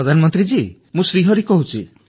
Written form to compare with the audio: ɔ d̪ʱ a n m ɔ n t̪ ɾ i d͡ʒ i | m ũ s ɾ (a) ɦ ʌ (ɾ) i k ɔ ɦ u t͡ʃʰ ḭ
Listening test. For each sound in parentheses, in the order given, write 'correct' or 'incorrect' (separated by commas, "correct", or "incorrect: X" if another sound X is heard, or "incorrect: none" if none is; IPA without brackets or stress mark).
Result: incorrect: i, correct